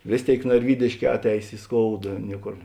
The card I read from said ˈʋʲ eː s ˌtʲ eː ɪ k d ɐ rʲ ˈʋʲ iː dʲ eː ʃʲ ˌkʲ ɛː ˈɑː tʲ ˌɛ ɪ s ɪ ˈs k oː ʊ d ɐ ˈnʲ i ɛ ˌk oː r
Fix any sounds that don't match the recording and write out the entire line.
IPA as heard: ˈʋʲ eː s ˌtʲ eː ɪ k n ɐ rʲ ˈʋʲ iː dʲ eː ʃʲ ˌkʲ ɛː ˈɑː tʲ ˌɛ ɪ s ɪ ˈs k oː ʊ d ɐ ˈnʲ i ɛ ˌk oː r